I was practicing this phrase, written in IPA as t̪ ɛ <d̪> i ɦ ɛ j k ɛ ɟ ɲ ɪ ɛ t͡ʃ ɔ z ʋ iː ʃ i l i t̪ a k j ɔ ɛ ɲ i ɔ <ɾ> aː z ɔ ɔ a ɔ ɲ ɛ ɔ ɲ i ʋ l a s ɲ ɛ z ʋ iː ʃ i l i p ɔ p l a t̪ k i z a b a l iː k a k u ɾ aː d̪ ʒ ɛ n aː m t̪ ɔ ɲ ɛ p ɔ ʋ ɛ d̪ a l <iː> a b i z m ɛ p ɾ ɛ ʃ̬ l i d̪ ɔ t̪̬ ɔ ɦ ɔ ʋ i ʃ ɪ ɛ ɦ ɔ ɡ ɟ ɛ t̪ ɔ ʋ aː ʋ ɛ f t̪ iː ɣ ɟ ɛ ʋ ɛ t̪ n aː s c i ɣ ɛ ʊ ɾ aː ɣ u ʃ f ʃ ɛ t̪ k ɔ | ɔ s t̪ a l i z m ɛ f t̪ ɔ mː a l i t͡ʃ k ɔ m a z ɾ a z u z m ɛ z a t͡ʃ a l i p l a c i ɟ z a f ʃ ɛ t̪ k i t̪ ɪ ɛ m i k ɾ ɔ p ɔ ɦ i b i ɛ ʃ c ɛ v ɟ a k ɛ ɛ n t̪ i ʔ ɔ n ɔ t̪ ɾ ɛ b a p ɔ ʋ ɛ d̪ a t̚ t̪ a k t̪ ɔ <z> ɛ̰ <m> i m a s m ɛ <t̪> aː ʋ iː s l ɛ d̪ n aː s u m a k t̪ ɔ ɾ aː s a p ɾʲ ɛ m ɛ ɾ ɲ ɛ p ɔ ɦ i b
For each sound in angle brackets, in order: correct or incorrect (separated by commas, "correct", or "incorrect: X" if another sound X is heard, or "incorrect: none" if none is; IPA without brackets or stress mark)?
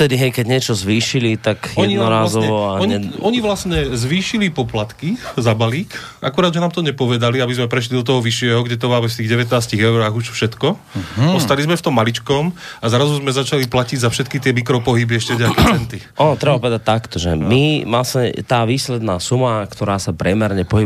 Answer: correct, correct, incorrect: i, incorrect: ʒ, correct, correct